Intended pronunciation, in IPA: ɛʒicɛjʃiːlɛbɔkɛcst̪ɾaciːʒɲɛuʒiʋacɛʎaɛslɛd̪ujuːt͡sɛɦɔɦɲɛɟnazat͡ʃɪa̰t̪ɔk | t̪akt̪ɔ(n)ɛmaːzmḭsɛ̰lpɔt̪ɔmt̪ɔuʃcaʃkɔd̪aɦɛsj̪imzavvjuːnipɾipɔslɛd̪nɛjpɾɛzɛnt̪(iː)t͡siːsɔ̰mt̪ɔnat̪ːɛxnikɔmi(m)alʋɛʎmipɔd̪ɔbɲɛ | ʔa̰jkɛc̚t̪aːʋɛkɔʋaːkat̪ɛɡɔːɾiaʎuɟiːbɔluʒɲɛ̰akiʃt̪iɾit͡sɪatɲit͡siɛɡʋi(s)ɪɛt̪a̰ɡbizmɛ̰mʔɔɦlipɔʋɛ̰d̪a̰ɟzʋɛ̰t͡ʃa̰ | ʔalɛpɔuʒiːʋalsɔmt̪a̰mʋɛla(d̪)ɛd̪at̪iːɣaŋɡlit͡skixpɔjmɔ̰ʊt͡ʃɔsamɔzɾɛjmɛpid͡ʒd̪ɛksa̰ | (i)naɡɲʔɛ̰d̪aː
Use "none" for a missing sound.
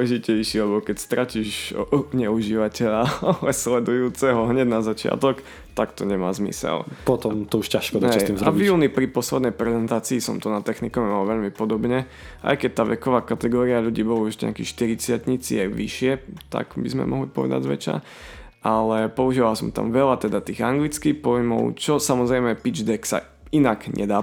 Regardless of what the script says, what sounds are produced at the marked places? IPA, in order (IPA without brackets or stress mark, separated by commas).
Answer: ɲ, aː, m, ʃ, t̪, i